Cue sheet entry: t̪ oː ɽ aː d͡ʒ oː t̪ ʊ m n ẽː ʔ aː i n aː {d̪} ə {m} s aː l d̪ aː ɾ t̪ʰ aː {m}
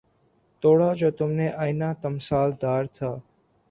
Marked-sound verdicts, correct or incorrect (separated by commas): incorrect, correct, incorrect